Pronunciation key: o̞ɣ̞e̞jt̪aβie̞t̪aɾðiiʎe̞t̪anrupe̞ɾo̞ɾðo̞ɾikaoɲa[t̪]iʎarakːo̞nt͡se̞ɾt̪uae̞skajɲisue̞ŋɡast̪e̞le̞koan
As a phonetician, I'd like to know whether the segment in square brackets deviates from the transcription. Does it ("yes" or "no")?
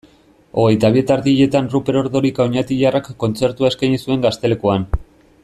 no